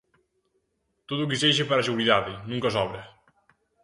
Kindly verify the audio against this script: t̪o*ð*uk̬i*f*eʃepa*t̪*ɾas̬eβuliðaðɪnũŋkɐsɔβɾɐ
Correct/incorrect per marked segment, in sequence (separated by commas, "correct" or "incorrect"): correct, incorrect, incorrect